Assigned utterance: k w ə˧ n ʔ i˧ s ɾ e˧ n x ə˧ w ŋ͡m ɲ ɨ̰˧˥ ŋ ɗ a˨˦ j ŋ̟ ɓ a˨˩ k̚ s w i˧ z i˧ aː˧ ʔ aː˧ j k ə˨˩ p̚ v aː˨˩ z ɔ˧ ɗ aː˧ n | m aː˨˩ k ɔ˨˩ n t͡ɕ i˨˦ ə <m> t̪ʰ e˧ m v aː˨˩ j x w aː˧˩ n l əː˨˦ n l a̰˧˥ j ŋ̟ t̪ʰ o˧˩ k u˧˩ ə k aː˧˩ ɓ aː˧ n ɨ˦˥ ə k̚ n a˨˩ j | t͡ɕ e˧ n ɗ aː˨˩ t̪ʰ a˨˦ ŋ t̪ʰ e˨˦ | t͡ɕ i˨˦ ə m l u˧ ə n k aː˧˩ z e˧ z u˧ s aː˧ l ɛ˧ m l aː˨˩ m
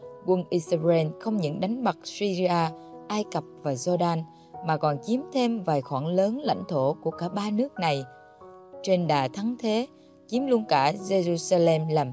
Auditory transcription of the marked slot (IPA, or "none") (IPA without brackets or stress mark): m